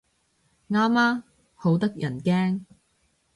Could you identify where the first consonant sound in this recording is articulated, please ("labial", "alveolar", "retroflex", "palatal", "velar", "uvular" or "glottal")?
velar